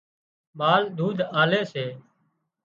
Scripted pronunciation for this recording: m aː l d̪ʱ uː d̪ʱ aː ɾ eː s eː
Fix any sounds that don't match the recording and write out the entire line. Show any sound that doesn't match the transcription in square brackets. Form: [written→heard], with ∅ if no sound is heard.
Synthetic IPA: m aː l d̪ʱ uː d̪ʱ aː [ɾ→l] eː s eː